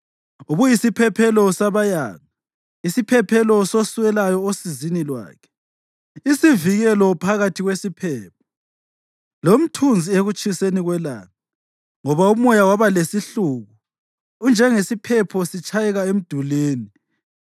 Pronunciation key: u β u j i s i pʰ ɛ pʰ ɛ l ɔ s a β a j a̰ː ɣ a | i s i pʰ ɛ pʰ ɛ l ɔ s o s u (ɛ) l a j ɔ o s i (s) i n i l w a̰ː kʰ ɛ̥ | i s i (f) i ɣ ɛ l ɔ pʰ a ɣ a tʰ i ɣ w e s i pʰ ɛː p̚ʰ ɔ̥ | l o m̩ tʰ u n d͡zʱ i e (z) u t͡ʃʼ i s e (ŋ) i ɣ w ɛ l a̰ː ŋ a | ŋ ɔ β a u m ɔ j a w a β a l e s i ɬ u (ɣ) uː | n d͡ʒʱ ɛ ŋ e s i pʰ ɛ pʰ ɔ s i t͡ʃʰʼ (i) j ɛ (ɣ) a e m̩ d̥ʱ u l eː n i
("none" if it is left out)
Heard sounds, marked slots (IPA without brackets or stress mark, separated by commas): ɛ, z, v, ɣ, n, ɣ, a, ɣ